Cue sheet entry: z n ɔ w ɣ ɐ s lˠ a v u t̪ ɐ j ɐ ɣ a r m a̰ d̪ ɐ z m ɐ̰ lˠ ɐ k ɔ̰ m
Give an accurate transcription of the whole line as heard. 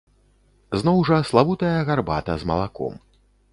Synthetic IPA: z n ɔ w ʐ ɐ s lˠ a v u t̪ ɐ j ɐ ɣ a r b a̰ t̪ ɐ z m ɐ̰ lˠ a k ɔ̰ m